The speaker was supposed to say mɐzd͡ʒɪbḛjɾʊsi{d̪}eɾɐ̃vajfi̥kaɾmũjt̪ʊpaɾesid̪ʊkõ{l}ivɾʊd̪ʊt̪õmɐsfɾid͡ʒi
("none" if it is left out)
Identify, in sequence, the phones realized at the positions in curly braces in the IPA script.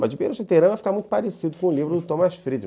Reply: t̪, l

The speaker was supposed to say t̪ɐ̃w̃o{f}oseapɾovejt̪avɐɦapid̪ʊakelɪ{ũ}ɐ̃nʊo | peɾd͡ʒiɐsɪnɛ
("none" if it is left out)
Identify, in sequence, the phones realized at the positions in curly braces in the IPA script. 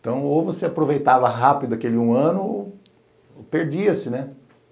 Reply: v, ũ

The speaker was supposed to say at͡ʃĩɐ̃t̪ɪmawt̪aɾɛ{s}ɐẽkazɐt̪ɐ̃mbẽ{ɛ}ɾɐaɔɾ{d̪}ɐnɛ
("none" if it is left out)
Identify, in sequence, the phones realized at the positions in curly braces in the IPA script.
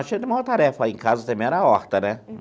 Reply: f, ɛ, t̪

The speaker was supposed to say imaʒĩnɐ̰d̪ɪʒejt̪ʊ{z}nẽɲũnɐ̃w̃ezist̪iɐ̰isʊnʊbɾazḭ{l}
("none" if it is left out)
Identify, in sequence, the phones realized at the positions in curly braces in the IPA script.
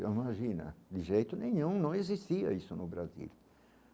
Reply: none, l

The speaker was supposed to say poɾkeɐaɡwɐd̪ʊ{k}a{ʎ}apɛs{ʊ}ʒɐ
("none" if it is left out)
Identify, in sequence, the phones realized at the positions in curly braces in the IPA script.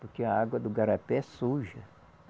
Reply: ɡ, ɾ, u

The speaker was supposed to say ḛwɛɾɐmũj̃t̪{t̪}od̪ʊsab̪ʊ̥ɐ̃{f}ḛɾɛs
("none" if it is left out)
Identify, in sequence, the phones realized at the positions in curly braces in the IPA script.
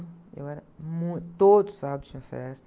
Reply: t̪, f

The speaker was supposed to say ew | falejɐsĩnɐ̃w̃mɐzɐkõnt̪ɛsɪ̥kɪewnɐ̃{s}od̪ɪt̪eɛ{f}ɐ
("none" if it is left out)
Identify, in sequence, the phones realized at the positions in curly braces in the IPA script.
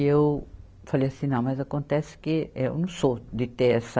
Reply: s, s

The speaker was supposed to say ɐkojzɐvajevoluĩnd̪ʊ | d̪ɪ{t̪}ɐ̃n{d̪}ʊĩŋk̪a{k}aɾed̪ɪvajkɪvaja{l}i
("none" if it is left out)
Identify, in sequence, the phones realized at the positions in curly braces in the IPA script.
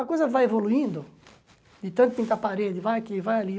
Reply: t̪, t̪, p, l

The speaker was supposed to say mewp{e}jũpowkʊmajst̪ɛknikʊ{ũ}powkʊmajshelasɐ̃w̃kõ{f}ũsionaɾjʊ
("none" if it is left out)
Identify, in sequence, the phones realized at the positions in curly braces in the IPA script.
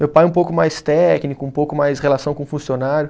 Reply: a, ũ, f

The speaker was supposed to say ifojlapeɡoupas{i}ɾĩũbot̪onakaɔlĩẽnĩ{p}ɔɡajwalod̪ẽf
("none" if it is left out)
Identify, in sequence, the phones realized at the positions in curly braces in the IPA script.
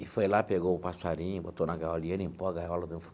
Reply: a, p

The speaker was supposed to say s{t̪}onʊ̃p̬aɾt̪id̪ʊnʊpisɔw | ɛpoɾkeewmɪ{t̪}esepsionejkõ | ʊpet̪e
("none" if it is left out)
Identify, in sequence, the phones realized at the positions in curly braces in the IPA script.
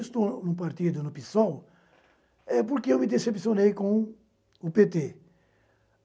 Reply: t̪, d̪

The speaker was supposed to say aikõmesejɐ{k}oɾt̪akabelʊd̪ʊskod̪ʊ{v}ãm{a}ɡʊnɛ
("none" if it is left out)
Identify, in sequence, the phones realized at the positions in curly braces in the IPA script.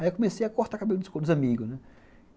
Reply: k, z, i

